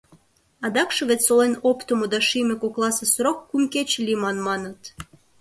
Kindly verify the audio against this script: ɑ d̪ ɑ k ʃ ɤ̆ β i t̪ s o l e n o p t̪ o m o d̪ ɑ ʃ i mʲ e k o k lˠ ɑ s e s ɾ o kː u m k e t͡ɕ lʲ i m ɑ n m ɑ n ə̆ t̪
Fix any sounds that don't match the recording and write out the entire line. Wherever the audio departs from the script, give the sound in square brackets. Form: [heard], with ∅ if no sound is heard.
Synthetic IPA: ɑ d̪ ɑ k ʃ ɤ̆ β [e] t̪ s o l e n o p t̪ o m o d̪ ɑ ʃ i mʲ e k o k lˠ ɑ s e s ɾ o kː u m k e t͡ɕ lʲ i m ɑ n m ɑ n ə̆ t̪